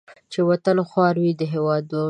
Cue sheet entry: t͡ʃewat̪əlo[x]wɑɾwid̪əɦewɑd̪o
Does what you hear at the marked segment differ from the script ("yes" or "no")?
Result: no